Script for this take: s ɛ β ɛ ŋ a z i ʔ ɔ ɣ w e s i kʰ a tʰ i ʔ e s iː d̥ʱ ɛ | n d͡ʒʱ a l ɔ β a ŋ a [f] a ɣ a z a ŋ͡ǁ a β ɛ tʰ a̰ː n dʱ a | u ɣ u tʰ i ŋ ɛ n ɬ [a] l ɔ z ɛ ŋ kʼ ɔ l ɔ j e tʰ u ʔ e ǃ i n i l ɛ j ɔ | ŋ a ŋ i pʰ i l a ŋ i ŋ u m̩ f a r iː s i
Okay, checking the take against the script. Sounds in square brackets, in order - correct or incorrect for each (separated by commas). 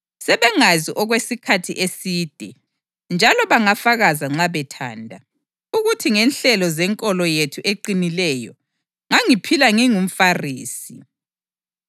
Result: correct, incorrect